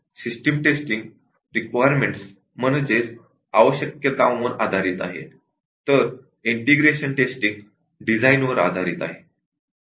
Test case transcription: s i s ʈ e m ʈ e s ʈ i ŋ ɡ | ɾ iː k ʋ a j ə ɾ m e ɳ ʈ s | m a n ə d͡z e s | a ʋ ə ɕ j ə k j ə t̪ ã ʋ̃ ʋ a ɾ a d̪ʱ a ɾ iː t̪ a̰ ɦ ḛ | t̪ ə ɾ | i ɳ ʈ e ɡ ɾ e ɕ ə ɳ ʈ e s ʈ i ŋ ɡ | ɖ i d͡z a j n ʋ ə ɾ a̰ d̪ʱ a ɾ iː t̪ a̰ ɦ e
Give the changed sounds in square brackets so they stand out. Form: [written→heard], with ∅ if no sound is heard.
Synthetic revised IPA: s i s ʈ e m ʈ e s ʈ i ŋ ɡ | ɾ [iː→i] k ʋ a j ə ɾ m e ɳ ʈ s | m [a→ə] n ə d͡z e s | a ʋ ə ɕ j ə k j ə t̪ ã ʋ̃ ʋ [a→ə] ɾ a d̪ʱ a ɾ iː t̪ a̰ ɦ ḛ | t̪ ə ɾ | i ɳ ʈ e ɡ ɾ e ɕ ə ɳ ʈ e s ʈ i ŋ ɡ | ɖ i d͡z a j n ʋ ə ɾ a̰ d̪ʱ a ɾ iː t̪ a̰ ɦ e